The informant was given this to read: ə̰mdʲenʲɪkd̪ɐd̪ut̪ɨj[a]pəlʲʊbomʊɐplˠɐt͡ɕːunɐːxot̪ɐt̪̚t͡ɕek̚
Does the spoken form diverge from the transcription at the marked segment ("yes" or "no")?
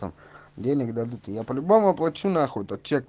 no